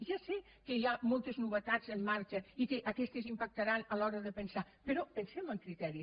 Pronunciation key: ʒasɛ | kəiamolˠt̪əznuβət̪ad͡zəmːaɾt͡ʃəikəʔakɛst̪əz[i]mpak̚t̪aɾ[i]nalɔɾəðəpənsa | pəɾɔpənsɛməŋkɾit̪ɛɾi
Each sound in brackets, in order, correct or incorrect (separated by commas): correct, incorrect